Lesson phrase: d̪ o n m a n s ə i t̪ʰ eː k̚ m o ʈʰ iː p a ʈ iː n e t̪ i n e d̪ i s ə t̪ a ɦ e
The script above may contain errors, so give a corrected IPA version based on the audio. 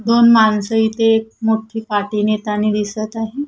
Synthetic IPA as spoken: d̪ o n m a n s ə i t̪ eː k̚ m o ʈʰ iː p a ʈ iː n e t̪ a n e d̪ i s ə t̪ a ɦ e